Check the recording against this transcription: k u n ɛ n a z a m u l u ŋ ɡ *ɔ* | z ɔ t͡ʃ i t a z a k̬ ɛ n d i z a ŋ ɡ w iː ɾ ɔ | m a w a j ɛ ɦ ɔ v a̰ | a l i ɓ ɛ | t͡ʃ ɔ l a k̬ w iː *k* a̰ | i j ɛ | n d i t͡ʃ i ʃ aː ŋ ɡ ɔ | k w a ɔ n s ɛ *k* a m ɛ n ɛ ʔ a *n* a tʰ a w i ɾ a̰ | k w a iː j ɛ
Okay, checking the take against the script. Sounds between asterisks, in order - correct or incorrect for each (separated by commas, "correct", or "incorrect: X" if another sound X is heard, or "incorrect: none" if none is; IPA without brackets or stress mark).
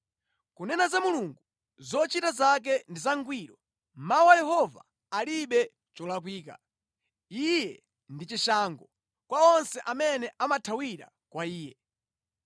incorrect: u, correct, incorrect: ʔ, incorrect: m